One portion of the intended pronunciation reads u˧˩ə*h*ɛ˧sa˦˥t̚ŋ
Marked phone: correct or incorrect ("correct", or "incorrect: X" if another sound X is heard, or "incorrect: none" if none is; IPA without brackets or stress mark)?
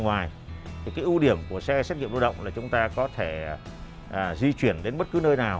incorrect: s